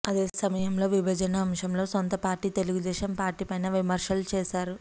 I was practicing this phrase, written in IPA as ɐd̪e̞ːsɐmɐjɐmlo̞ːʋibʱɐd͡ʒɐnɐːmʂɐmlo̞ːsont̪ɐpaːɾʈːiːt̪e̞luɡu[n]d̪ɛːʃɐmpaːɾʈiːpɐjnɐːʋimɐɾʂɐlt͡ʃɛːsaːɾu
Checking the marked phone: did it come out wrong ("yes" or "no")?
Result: yes